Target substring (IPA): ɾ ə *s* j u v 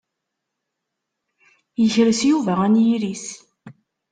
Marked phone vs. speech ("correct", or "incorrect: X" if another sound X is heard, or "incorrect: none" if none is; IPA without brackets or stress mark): correct